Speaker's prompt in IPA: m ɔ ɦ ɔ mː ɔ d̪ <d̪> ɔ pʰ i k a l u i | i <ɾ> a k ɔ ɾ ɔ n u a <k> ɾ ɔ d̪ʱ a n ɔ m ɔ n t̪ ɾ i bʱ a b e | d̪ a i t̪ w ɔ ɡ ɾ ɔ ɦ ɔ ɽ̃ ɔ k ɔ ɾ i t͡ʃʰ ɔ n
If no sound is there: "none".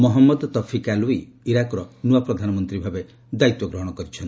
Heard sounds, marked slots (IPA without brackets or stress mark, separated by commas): t̪, ɾ, p